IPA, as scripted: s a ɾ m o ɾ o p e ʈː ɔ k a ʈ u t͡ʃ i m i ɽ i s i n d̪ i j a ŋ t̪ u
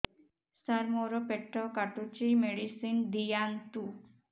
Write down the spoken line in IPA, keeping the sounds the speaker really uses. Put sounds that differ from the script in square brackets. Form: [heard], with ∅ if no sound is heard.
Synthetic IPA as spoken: s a ɾ m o ɾ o p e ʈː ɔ k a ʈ u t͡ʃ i m [e] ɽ i s i n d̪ i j a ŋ t̪ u